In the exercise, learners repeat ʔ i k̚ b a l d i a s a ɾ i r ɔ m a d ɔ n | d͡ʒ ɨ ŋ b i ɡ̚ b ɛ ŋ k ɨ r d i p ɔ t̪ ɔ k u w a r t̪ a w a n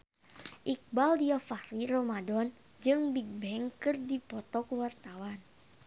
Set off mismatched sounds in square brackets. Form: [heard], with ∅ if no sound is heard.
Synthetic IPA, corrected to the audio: ʔ i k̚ b a l d i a [f] a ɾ i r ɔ m a d ɔ n | d͡ʒ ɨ ŋ b i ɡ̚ b ɛ ŋ k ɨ r d i p ɔ t̪ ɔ k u w a r t̪ a w a n